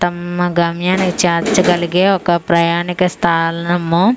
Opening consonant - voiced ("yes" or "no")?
no